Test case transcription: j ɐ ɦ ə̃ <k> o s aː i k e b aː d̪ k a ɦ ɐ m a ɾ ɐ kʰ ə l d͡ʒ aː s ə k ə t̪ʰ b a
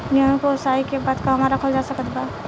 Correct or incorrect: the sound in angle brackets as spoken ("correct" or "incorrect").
correct